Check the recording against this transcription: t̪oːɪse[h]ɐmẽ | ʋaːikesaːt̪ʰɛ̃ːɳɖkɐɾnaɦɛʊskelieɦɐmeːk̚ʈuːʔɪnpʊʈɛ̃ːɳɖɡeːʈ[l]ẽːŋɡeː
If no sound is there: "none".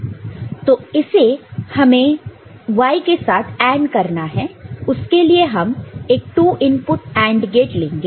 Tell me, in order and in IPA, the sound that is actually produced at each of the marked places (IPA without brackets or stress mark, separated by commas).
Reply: h, l